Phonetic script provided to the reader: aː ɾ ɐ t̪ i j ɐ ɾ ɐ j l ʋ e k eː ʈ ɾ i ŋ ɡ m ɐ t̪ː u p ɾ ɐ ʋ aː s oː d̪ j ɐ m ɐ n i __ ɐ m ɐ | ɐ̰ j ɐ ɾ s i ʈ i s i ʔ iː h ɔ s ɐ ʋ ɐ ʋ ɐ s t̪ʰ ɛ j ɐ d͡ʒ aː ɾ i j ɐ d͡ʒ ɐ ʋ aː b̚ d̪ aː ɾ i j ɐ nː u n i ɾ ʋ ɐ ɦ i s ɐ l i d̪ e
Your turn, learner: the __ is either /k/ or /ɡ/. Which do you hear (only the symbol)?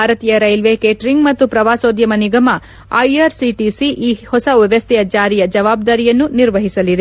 ɡ